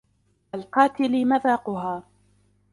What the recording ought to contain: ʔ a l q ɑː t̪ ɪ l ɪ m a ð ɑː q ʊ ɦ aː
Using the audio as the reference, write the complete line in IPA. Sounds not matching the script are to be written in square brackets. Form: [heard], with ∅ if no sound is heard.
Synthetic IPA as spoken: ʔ a l q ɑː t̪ ɪ l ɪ m a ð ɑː q ʊ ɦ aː